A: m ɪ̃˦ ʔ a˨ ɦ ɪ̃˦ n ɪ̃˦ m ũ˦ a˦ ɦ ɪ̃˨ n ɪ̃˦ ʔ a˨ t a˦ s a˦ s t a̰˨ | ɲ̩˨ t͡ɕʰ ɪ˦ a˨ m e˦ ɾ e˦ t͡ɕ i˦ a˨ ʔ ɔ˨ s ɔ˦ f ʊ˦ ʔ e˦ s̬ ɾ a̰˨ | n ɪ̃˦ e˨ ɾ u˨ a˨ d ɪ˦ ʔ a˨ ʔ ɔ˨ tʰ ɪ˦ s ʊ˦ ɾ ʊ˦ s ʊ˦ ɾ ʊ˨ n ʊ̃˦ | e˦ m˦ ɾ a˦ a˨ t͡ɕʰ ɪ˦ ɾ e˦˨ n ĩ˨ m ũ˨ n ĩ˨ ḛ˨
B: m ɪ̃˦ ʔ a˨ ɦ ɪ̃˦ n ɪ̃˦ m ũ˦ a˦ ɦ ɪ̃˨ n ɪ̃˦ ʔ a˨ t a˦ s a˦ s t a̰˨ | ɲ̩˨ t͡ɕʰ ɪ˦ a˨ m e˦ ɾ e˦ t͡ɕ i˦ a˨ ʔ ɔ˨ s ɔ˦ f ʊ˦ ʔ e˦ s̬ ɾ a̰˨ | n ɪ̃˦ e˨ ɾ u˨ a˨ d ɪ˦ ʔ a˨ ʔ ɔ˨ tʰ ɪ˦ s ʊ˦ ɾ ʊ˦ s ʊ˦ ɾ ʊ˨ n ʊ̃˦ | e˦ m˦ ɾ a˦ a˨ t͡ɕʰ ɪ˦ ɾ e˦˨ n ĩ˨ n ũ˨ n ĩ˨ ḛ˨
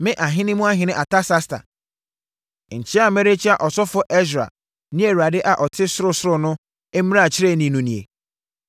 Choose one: B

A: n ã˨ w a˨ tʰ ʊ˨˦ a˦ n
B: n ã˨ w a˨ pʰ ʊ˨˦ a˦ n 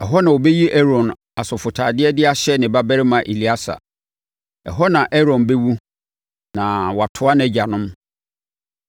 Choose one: A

